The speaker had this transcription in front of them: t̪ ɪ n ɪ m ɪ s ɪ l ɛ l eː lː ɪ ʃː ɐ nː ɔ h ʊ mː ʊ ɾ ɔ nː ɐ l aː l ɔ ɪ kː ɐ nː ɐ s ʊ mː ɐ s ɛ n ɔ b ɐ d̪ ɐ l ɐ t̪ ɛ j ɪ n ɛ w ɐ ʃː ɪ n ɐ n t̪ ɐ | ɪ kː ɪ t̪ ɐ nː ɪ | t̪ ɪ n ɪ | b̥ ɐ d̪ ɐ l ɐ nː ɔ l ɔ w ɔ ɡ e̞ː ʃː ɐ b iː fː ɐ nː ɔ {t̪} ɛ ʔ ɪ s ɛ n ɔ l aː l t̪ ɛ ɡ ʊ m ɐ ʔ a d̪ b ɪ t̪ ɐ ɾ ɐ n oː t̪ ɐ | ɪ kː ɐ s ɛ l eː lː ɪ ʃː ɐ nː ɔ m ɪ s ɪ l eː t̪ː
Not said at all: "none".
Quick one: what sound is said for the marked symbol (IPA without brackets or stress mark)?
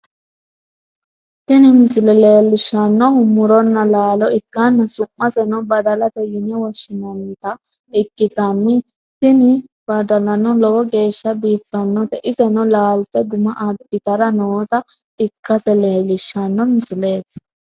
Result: t̪